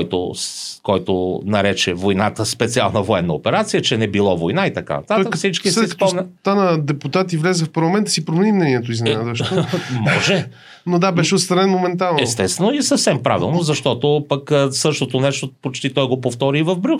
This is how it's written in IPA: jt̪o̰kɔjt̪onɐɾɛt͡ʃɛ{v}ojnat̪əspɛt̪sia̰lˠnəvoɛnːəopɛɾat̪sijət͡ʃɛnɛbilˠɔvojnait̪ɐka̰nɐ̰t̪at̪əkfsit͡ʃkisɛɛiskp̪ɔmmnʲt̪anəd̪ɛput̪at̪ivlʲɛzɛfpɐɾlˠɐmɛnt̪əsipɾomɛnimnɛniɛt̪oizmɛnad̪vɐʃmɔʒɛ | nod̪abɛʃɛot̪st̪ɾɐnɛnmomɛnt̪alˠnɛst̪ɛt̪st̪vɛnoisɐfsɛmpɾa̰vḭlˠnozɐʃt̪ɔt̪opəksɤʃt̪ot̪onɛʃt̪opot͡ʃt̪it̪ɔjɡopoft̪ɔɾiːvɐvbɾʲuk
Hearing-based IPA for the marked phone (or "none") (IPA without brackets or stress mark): v